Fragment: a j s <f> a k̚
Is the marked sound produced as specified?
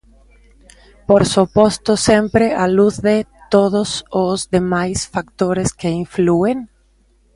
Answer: yes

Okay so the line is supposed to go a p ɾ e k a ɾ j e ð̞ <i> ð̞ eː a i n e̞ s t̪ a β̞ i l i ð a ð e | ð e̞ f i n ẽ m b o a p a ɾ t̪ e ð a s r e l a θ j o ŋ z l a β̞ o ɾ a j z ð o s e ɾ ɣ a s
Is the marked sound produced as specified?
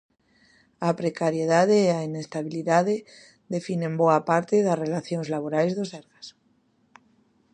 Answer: no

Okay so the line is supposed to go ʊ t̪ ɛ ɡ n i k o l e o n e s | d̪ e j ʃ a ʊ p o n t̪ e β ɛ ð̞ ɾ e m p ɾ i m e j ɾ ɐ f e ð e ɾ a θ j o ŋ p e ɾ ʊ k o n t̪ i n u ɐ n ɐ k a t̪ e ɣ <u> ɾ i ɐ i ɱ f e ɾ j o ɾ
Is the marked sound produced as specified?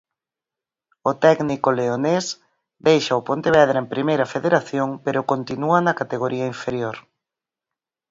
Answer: no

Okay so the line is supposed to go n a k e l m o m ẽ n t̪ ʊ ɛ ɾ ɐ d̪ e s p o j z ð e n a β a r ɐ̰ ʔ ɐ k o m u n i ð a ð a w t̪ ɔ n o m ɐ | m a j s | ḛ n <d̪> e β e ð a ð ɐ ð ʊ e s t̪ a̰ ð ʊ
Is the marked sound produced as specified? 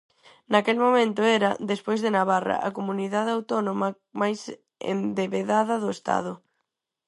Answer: yes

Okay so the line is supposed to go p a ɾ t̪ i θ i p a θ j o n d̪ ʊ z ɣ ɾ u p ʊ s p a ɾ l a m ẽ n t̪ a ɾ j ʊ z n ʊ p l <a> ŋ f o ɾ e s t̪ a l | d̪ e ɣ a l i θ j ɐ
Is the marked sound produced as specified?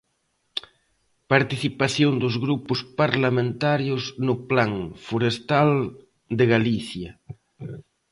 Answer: yes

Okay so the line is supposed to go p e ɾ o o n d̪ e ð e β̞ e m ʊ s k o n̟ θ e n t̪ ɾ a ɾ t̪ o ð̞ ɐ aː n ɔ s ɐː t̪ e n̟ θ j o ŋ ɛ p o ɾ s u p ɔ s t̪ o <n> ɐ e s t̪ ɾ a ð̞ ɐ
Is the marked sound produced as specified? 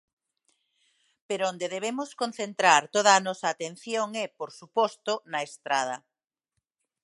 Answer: yes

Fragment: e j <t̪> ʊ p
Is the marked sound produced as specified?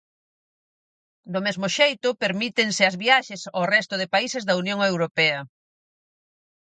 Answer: yes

